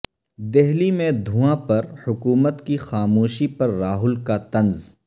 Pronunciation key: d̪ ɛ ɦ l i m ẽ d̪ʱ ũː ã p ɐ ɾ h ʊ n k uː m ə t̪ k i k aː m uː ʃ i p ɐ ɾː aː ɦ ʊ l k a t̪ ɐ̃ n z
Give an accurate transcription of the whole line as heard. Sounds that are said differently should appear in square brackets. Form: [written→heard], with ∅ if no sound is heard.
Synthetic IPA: d̪ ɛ ɦ l i m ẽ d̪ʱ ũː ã p ɐ ɾ h ʊ [n→∅] k uː m ə t̪ k i [k→x] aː m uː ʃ i p ɐ ɾː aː ɦ ʊ l k a t̪ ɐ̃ n z